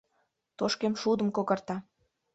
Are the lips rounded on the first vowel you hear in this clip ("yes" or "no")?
yes